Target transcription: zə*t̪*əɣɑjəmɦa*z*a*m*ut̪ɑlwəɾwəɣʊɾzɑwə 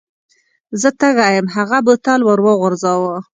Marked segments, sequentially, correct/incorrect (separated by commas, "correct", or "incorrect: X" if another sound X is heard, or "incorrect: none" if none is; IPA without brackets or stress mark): correct, incorrect: ɣ, incorrect: b